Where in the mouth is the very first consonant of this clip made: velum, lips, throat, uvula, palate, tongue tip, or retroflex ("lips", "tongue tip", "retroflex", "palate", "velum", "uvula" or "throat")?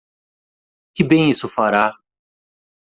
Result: velum